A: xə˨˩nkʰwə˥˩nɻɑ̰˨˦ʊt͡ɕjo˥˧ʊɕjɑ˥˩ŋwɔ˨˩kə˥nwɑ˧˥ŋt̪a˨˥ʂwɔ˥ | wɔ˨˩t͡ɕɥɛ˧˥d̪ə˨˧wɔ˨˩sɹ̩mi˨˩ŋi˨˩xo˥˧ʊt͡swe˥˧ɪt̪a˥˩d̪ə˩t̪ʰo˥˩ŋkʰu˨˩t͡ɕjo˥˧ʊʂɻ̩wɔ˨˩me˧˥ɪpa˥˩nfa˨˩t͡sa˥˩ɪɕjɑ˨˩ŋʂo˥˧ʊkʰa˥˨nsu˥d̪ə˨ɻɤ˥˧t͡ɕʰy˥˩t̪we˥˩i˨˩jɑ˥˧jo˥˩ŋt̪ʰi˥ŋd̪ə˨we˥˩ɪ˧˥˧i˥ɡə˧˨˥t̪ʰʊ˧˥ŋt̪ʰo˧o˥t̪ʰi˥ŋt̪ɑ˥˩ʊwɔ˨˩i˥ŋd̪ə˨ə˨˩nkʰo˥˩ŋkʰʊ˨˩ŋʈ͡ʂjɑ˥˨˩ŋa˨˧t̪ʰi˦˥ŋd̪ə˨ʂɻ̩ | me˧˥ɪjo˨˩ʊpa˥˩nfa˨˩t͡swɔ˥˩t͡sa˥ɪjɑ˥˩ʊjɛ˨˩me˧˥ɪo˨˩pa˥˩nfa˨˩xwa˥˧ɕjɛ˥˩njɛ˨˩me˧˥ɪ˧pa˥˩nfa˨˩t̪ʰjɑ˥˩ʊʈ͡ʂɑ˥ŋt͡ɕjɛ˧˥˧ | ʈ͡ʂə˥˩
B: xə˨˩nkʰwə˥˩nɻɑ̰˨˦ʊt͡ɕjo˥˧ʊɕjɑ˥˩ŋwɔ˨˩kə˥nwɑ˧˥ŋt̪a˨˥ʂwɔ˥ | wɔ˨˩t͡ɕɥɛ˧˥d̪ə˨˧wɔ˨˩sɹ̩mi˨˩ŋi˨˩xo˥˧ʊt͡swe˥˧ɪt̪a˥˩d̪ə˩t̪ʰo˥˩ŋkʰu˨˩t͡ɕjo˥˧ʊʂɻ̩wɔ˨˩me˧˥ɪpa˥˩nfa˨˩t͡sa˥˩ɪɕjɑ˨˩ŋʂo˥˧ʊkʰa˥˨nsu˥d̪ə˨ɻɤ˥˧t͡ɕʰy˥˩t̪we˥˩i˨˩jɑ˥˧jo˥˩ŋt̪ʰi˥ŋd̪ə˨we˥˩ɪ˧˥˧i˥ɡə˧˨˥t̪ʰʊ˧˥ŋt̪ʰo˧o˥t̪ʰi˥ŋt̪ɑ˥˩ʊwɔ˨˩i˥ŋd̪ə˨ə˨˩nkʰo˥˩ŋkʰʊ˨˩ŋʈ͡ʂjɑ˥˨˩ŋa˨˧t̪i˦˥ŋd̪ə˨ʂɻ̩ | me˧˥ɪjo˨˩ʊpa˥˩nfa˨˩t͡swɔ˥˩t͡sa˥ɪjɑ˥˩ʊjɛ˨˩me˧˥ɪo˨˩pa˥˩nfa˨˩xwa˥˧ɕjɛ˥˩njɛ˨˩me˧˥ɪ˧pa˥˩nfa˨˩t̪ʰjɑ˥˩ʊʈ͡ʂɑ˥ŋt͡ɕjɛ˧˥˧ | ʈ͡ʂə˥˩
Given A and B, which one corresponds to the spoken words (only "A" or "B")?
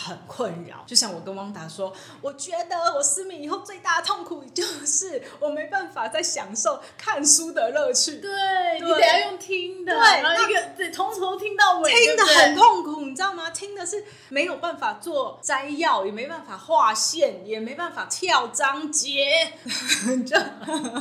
A